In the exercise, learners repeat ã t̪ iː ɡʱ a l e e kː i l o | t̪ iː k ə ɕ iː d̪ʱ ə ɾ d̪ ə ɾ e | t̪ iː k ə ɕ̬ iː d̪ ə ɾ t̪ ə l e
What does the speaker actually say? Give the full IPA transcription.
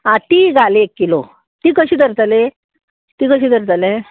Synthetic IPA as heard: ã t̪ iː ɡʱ a l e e kː i l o | t̪ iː k ə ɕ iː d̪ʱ ə ɾ t̪ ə l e | t̪ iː k ə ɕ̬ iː d̪ ə ɾ t̪ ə l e